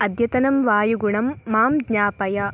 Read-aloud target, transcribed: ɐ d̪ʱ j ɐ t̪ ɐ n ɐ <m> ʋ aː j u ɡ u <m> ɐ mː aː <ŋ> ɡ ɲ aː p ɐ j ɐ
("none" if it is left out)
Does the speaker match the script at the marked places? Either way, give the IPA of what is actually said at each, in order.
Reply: m, ɳ, m

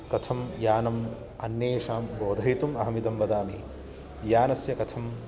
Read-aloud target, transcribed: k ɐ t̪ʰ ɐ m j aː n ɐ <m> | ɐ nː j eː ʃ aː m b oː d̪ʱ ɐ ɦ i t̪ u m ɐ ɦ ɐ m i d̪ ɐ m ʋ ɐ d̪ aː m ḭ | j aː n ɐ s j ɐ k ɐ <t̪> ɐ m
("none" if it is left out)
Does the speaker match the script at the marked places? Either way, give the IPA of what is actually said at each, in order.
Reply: m, t̪ʰ

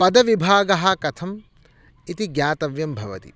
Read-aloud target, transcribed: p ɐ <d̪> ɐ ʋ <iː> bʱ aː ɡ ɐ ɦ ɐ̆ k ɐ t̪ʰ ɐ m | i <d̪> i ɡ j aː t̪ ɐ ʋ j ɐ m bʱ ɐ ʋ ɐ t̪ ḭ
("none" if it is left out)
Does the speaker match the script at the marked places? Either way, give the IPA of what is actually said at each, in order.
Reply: d̪, i, t̪

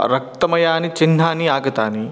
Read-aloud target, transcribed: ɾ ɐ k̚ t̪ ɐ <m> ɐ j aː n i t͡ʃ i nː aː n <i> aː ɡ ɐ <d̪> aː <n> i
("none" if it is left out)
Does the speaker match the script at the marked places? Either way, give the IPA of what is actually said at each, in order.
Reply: m, i, t̪, n

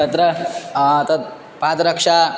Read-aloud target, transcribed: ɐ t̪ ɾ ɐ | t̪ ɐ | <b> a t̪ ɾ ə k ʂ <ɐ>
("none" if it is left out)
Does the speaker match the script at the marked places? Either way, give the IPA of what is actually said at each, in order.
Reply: p, a

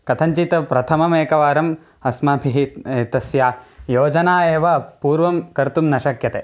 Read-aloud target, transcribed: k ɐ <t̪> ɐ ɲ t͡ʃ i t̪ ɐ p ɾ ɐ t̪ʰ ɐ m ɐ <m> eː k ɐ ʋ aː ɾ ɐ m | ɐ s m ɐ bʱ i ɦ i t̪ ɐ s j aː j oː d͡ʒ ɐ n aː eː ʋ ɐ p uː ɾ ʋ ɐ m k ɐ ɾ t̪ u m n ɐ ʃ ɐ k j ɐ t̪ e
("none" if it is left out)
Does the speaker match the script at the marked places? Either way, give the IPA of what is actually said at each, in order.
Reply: t̪ʰ, m

